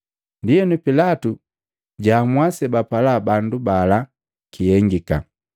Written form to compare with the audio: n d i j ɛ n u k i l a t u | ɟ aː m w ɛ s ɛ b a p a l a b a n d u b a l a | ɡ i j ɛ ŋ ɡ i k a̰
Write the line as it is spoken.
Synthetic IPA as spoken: n d i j ɛ n u p i l a t u | ɟ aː m w a s ɛ b a p a l a b a n d u b a l a | k i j ɛ ŋ ɡ i k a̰